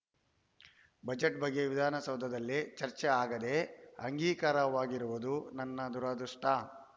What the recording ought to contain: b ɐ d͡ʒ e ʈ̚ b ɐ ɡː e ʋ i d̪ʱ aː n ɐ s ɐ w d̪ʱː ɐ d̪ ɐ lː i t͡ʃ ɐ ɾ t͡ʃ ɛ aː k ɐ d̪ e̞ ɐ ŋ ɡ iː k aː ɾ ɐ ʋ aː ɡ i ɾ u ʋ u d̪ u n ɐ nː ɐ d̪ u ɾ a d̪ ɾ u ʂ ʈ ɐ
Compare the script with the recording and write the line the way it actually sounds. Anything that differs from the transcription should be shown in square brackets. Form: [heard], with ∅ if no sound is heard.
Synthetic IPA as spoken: b ɐ d͡ʒ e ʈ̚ b ɐ ɡː e ʋ i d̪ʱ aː n ɐ s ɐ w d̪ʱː ɐ d̪ ɐ lː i t͡ʃ ɐ ɾ t͡ʃ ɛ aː [ɡ] ɐ d̪ e̞ ɐ ŋ ɡ iː k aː ɾ ɐ ʋ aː ɡ i ɾ u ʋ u d̪ u n ɐ nː ɐ d̪ u ɾ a d̪ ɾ u ʂ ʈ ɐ